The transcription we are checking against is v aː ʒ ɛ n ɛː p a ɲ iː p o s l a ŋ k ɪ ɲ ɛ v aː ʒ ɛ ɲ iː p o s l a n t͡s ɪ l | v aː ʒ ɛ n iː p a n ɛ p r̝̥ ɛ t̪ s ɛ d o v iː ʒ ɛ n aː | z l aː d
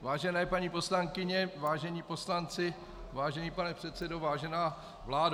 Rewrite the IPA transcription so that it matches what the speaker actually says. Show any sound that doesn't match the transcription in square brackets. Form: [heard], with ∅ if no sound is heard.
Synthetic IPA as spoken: v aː ʒ ɛ n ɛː p a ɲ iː p o s l a ŋ k ɪ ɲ ɛ v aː ʒ ɛ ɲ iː p o s l a n t͡s ɪ [∅] | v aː ʒ ɛ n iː p a n ɛ p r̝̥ ɛ t̪ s ɛ d o v [aː] ʒ ɛ n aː | [v] l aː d